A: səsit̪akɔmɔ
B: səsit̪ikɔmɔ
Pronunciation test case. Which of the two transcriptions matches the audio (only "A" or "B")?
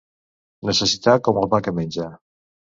A